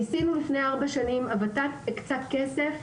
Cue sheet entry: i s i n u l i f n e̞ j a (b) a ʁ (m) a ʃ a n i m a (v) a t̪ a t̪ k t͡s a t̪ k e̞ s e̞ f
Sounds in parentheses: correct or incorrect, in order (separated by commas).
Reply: incorrect, incorrect, correct